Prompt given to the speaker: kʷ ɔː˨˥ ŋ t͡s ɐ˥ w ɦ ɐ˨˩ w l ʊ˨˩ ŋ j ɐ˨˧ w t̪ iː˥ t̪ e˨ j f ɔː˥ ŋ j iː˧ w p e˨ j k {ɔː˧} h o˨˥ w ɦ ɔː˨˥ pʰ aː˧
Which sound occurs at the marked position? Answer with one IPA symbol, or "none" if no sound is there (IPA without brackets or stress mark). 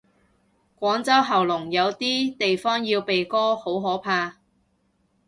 ɔː˥